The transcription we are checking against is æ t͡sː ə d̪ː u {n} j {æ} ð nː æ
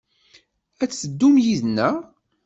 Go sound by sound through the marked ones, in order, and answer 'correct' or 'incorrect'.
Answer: incorrect, incorrect

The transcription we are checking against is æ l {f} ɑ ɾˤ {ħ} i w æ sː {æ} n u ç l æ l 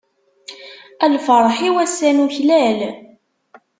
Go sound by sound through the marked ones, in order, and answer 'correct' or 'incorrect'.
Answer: correct, correct, correct

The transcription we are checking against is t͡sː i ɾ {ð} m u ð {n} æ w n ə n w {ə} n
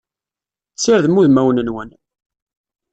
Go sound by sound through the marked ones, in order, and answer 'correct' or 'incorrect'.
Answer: correct, incorrect, correct

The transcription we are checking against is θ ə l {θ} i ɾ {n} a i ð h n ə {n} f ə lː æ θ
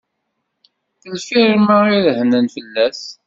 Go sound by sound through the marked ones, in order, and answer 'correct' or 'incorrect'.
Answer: incorrect, incorrect, correct

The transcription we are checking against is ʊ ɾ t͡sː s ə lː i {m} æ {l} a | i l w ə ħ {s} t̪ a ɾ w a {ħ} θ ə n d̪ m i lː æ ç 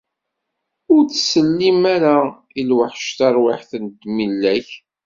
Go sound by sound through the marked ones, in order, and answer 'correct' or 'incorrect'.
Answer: correct, incorrect, incorrect, correct

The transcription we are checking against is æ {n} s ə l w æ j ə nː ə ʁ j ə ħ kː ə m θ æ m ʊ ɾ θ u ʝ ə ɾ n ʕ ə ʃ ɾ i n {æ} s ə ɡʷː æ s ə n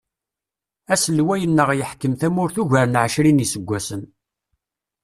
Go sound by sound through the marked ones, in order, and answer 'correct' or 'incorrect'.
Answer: incorrect, incorrect

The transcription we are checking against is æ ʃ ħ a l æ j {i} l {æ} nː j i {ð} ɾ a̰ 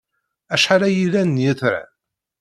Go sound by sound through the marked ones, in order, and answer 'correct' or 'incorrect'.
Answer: correct, correct, incorrect

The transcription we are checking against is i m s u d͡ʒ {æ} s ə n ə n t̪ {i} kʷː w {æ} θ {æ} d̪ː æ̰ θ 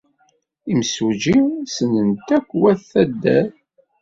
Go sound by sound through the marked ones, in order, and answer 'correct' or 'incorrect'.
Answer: incorrect, incorrect, correct, correct

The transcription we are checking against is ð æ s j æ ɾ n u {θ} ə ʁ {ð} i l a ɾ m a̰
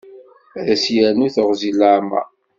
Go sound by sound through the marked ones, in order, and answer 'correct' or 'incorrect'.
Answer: correct, incorrect

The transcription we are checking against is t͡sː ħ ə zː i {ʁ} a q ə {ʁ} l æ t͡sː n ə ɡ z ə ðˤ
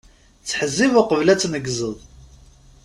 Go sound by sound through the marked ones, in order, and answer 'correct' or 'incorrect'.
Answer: incorrect, incorrect

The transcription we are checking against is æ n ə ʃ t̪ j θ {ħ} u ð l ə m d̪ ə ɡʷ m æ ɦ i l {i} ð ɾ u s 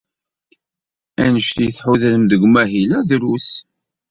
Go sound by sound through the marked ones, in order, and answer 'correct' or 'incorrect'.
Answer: correct, incorrect

